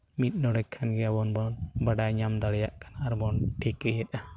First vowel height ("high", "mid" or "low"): high